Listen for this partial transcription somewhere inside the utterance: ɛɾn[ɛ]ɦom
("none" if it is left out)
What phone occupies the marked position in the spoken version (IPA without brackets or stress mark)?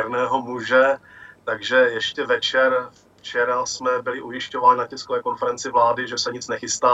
ɛː